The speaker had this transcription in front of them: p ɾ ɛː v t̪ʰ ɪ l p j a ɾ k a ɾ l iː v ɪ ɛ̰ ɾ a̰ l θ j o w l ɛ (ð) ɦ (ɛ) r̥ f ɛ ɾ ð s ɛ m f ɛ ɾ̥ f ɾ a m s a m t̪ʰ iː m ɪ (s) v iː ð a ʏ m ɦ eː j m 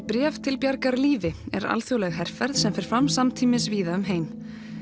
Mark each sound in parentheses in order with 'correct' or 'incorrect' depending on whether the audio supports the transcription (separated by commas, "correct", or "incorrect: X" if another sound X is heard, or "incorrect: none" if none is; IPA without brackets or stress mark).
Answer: incorrect: ɣ, correct, correct